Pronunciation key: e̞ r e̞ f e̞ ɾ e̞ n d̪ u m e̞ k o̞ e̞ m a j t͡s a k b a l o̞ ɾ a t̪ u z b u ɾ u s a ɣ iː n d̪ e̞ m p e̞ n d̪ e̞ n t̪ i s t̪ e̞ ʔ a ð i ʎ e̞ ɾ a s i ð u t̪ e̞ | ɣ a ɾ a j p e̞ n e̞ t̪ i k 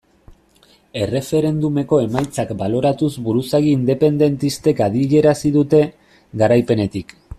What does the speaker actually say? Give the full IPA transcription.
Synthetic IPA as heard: e̞ r e̞ f e̞ ɾ e̞ n d̪ u m e̞ k o̞ e̞ m a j t͡s a k b a l o̞ ɾ a t̪ u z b u ɾ u s a ɣ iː n d̪ e̞ p e̞ n d̪ e̞ n t̪ i s t̪ e̞ k a ð i ʎ e̞ ɾ a s i ð u t̪ e̞ | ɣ a ɾ a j p e̞ n e̞ t̪ i k